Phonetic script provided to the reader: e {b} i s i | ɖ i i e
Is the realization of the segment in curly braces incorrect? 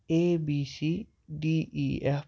no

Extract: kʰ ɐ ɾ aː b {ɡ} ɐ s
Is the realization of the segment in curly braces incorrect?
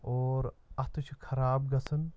no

